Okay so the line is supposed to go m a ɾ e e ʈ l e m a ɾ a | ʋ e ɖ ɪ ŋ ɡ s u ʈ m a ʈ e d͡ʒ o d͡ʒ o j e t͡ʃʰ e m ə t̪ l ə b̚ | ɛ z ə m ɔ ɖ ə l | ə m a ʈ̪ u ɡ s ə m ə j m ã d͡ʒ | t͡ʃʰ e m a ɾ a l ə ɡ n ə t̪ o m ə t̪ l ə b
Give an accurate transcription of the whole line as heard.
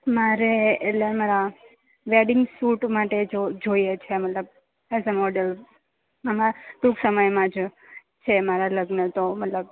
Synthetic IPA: m a ɾ e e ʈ l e m a ɾ a | ʋ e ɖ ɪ ŋ ɡ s u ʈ m a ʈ e d͡ʒ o d͡ʒ o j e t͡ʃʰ e m ə t̪ l ə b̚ | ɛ z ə m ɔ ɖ ə l | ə m a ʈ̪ u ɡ s ə m ə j m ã d͡ʒ | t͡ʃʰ e m a ɾ a l ə ɡ n ə t̪ o m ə t̪ l ə b